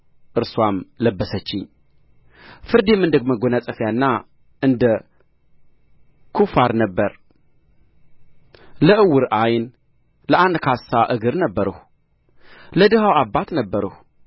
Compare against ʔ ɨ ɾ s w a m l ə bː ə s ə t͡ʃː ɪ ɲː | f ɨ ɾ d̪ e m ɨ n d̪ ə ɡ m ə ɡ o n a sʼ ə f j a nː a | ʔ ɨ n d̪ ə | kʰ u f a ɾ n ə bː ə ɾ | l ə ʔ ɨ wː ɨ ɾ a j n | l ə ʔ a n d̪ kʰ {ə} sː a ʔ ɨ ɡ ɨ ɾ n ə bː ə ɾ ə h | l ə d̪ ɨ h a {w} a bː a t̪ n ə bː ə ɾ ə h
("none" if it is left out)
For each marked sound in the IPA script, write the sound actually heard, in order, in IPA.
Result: a, w

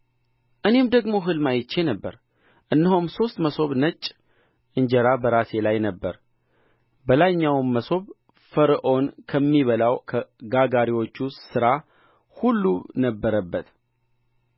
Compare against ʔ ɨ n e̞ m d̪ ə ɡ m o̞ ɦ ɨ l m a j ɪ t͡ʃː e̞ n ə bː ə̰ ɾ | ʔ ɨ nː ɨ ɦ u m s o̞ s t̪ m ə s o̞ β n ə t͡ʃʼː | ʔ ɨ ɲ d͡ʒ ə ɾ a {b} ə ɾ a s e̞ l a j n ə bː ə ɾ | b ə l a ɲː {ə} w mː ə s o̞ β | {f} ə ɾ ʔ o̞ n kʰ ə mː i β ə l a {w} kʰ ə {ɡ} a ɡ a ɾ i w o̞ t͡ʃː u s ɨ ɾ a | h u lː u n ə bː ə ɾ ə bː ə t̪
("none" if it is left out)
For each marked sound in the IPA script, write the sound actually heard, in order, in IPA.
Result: b, a, f, w, ɡ

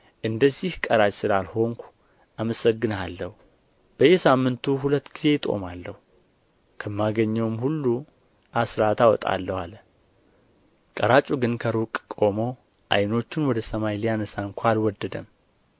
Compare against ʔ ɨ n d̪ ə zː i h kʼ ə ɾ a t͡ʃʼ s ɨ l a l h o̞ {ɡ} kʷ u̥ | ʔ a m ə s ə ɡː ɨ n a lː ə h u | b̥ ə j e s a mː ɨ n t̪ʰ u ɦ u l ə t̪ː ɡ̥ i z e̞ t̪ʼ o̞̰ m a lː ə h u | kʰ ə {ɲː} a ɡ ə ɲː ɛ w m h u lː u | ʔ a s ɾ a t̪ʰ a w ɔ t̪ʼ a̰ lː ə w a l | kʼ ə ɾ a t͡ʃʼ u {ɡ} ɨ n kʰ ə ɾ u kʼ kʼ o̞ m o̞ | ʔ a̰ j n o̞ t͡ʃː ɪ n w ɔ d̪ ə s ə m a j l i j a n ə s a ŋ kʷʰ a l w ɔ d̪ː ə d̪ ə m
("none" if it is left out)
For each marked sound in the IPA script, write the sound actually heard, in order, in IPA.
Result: ŋ, mː, ɡ

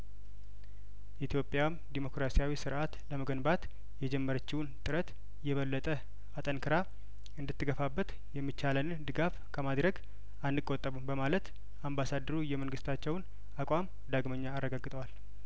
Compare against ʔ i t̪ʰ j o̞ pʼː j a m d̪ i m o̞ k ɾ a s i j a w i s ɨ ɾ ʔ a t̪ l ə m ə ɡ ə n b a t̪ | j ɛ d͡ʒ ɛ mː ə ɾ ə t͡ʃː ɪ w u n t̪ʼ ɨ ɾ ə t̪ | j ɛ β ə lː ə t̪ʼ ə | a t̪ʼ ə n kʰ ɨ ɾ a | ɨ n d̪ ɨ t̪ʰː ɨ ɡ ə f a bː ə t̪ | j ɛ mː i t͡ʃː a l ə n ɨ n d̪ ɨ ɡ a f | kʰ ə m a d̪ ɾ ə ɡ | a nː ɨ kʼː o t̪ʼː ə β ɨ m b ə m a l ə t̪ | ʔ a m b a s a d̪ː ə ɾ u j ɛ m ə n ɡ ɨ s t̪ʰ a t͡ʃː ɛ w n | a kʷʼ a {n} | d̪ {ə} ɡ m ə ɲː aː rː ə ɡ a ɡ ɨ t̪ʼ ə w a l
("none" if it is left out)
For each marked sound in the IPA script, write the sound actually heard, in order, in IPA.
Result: m, a

